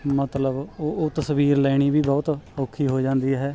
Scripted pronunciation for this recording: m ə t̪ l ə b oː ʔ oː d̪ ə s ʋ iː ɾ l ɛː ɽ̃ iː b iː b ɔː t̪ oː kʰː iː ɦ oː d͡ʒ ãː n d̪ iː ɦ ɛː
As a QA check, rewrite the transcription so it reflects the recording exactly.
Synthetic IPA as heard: m ə t̪ l ə b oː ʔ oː t̪ ə s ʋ iː ɾ l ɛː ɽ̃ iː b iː b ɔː t̪ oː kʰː iː ɦ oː d͡ʒ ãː n d̪ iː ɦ ɛː